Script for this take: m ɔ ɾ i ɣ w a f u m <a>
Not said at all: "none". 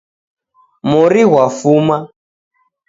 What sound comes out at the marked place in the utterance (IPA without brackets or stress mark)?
a